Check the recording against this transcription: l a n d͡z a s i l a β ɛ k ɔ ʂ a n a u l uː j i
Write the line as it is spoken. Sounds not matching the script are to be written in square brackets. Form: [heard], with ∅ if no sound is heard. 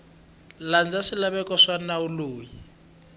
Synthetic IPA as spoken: l a n d͡z a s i l a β ɛ k ɔ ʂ a n a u l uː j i

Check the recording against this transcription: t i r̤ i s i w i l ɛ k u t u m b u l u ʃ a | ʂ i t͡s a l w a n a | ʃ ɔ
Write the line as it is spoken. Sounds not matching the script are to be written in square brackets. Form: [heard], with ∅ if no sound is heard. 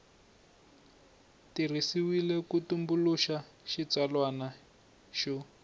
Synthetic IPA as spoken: t i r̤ i s i w i l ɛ k u t u m b u l u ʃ a | [ʃ] i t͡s a l w a n a | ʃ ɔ

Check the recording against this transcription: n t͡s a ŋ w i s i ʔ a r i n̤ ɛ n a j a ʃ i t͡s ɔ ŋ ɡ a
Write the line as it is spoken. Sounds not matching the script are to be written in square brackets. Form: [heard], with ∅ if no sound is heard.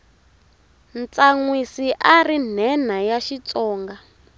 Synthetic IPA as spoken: n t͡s a ŋ w i s i ʔ a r i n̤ ɛ n a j a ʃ i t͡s [ɔː] ŋ ɡ a

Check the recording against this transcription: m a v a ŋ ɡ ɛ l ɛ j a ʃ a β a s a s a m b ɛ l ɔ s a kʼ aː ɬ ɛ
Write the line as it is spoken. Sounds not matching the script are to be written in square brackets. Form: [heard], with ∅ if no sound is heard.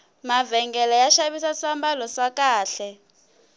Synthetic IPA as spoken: m a v [ɛ] ŋ ɡ ɛ l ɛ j a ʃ a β [i] s a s a m b [a] l ɔ s a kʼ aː ɬ ɛ

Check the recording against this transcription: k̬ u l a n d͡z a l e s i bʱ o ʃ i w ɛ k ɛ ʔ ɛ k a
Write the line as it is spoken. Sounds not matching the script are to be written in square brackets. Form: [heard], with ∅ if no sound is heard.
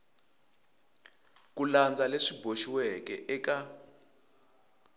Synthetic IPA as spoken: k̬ u l a n d͡z a l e [ʂ] i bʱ o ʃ i w ɛ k ɛ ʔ ɛ k a

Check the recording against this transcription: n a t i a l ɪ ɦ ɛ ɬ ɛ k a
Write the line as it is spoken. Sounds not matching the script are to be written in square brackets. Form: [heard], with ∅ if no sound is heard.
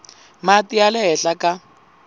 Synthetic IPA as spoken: [m] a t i a l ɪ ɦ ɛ ɬ [a] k a

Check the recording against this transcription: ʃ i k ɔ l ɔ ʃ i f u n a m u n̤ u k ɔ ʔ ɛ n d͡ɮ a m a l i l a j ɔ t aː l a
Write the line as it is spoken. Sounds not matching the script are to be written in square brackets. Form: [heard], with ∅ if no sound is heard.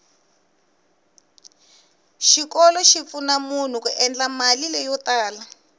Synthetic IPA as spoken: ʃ i k ɔ l ɔ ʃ i f u n a m u n̤ u k [u] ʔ ɛ n d͡ɮ a m a l i l [ɛ] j ɔ t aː l a

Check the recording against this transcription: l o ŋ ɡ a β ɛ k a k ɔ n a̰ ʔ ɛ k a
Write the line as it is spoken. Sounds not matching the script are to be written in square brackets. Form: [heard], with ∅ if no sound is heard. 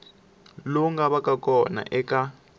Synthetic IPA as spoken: l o ŋ ɡ a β [a] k a k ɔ n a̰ ʔ ɛ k a

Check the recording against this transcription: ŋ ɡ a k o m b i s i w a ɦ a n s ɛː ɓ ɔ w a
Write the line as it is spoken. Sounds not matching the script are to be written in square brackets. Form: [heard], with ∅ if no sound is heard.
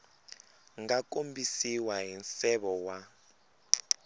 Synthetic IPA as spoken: ŋ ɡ a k o m b i s i w a ɦ [i] n s [ɛ] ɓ ɔ w a

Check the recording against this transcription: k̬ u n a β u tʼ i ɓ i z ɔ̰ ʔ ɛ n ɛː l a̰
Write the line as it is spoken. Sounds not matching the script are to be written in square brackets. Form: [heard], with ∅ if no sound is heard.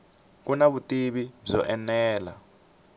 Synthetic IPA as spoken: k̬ u n a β u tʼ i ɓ i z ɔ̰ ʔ ɛ n ɛː l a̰

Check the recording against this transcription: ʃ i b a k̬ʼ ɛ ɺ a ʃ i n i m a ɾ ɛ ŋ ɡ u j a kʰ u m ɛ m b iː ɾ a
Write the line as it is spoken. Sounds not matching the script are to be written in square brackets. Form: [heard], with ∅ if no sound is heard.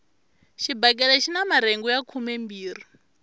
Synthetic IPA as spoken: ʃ i b a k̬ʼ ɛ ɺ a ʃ i n [a] m a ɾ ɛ ŋ ɡ u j a kʰ u m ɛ m b iː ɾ [i]

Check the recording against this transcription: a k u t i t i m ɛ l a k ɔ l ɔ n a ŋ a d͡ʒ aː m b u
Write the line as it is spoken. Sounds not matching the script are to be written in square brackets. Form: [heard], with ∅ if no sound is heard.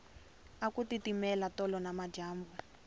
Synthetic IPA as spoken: a k u t i t i m ɛ l a [t] ɔ l ɔ n a [m] a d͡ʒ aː m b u

